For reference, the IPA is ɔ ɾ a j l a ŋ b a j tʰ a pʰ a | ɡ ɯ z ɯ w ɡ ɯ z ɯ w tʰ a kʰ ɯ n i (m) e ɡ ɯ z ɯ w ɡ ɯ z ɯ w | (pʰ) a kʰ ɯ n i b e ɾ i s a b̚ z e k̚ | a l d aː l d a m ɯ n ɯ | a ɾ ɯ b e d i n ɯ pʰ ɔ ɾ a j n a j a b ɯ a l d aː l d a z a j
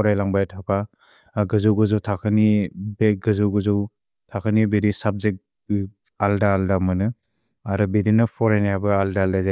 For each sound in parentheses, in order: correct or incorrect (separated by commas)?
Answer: incorrect, incorrect